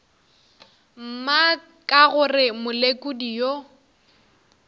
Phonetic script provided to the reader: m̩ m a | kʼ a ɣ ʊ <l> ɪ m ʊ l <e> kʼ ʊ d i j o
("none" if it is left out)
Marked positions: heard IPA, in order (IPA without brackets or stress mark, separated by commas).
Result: r, e